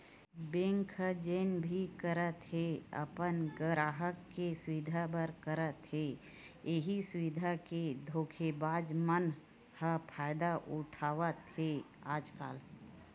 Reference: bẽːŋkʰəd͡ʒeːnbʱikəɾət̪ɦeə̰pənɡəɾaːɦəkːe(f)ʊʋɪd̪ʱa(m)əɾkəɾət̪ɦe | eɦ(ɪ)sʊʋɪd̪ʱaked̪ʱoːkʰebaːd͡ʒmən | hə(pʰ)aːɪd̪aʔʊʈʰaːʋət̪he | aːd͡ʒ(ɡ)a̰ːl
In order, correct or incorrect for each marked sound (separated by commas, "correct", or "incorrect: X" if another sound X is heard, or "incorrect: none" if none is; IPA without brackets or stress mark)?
incorrect: s, incorrect: b, incorrect: i, correct, incorrect: k